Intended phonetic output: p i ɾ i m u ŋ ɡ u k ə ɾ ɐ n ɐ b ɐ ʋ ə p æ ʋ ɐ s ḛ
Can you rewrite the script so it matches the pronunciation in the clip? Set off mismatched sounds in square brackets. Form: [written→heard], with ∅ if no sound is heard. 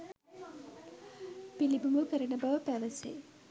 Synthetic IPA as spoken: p i [ɾ→l] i [m→b] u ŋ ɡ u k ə ɾ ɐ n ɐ b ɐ ʋ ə p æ ʋ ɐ s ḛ